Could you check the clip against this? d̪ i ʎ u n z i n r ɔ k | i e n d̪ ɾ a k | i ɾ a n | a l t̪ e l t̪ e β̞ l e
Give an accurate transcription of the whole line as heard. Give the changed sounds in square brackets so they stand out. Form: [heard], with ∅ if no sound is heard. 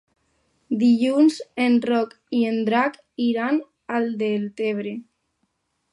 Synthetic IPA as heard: d̪ i ʎ u n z [e] n r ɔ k | i e n d̪ ɾ a k | i ɾ a n | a l [d̪] e l t̪ e β̞ [ɾ] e